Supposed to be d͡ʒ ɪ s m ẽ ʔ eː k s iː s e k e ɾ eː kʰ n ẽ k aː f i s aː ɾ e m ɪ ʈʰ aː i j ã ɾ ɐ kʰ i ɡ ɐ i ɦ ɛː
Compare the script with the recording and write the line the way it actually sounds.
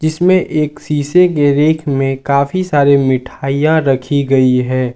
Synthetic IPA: d͡ʒ ɪ s m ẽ ʔ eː k s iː s e k e ɾ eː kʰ m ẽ k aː f i s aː ɾ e m ɪ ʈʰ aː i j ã ɾ ɐ kʰ i ɡ ɐ i ɦ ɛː